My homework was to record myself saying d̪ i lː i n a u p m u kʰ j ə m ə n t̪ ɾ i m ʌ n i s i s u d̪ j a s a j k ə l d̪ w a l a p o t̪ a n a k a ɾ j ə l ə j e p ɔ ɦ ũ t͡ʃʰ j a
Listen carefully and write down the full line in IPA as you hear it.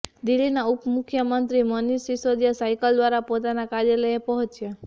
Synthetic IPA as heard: d̪ i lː i n a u p m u kʰ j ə m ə n t̪ ɾ i m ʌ n i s i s o d̪ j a s a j k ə l d̪ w a ɾ a p o t̪ a n a k a ɾ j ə l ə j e p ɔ ɦ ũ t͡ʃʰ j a

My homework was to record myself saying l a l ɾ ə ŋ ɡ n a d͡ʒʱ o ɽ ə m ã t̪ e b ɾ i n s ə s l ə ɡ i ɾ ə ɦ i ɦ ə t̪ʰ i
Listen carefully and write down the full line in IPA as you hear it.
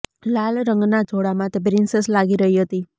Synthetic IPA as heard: l a l ɾ ə ŋ ɡ n a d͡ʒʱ o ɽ a m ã t̪ e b ɾ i n s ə s l a ɡ i ɾ ə ɦ i ɦ ə t̪ i

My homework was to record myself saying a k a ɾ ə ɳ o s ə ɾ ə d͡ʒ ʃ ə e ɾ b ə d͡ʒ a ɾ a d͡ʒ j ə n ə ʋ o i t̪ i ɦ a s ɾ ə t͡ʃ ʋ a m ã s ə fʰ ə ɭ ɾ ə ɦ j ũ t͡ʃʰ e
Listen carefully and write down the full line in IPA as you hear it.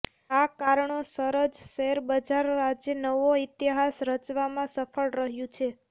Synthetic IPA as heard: a k a ɾ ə ɳ o s ə ɾ ə d͡ʒ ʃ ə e ɾ b ə d͡ʒ a ɾ a d͡ʒ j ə n ə ʋ o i t̪ i ɦ a s ɾ ə t͡ʃ ʋ a m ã s ə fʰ ə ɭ ɾ ə ɦ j ũ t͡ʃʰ e

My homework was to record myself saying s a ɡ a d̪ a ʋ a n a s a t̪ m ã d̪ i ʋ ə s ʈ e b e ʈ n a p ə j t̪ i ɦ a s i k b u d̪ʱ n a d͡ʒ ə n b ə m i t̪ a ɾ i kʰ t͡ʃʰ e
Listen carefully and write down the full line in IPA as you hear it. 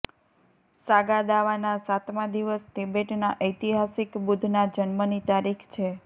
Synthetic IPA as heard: s a ɡ a d̪ a ʋ a n a s a t̪ m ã d̪ i ʋ ə s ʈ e b e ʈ n a ʔ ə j t̪ i ɦ a s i k b u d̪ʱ n a d͡ʒ ə n m ə n i t̪ a ɾ i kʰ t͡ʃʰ e

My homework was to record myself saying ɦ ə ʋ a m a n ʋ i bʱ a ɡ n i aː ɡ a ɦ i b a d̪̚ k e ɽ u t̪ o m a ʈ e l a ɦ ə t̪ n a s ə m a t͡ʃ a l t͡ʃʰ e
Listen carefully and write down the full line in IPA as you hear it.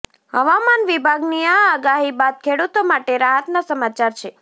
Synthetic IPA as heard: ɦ ə ʋ a m a n ʋ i bʱ a ɡ n i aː ɡ a ɦ i b a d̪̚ kʰ e ɽ u t̪ o m a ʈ e ɾ a ɦ ə t̪ n a s ə m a t͡ʃ a ɾ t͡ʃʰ e

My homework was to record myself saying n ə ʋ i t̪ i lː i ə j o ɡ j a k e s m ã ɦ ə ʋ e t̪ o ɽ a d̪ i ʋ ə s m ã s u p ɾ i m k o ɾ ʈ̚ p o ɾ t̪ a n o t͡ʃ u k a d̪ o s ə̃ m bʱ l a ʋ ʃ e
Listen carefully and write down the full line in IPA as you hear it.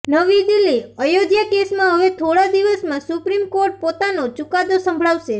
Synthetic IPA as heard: n ə ʋ i d̪ i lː i ə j o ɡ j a k e s m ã ɦ ə ʋ e t̪ʰ o ɽ a d̪ i ʋ ə s m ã s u p ɾ i m k o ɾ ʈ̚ p o t̪ a n o t͡ʃ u k a d̪ o s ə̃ m bʱ ɭ a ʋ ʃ e

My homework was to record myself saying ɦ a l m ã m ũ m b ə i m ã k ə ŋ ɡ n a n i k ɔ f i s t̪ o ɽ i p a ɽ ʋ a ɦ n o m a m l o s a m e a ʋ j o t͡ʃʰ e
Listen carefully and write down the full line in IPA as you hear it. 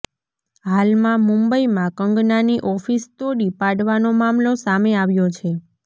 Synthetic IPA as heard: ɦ a l m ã m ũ m b ə i m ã k ə ŋ ɡ n a n i ʔ ɔ f i s t̪ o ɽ i p a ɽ ʋ a n o m a m l o s a m e a ʋ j o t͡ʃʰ e

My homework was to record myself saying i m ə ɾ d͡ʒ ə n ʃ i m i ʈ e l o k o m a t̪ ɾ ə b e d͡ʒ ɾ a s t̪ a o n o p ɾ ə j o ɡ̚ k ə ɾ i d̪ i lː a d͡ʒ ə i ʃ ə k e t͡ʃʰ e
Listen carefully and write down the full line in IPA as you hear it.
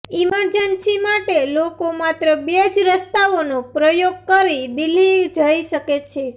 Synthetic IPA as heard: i m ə ɾ d͡ʒ ə n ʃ i m a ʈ e l o k o m a t̪ ɾ ə b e d͡ʒ ɾ ə s t̪ a o n o p ɾ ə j o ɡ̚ k ə ɾ i d̪ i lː i d͡ʒ ə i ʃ ə k e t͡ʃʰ e

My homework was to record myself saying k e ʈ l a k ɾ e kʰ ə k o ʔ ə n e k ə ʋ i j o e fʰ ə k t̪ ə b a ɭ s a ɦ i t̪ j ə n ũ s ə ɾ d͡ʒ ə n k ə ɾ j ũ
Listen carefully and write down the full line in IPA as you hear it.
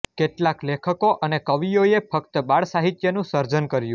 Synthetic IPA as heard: k e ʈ l a k l e kʰ ə k o ʔ ə n e k ə ʋ i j o e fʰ ə k t̪ ə b a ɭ s a ɦ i t̪ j ə n ũ s ə ɾ d͡ʒ ə n k ə ɾ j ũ

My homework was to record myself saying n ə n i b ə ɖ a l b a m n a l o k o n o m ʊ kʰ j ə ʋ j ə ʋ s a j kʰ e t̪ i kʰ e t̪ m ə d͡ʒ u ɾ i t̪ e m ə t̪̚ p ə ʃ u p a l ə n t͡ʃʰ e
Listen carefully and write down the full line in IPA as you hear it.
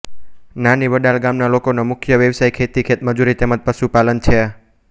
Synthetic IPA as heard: n a n i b ə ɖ a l ɡ a m n a l o k o n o m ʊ kʰ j ə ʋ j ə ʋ s a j kʰ e t̪ i kʰ e t̪ m ə d͡ʒ u ɾ i t̪ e m ə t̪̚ p ə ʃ u p a l ə n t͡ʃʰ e

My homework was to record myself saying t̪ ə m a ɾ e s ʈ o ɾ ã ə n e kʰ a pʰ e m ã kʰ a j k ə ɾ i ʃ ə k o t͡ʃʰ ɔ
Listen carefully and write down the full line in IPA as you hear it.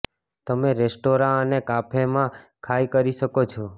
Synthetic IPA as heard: t̪ ə m e ɾ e s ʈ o ɾ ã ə n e k a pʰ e m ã kʰ a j k ə ɾ i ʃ ə k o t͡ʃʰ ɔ

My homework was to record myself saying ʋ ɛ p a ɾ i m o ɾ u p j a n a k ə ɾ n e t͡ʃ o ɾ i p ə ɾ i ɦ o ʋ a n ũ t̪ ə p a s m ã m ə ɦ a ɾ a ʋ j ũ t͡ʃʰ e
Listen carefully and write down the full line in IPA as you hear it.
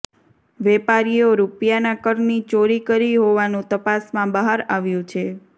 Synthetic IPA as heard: ʋ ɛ p a ɾ i o ɾ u p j a n a k ə ɾ n i t͡ʃ o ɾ i k ə ɾ i ɦ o ʋ a n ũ t̪ ə p a s m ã b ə ɦ a ɾ a ʋ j ũ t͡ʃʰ e

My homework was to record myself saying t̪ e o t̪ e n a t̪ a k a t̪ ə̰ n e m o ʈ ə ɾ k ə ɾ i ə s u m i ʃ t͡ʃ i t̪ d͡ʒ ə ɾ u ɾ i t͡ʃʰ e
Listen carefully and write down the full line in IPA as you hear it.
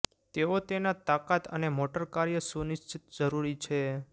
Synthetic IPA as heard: t̪ e o t̪ e n a t̪ a k a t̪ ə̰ n e m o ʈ ə ɾ k a ɾ j ə s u n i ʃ t͡ʃ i t̪ d͡ʒ ə ɾ u ɾ i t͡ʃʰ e

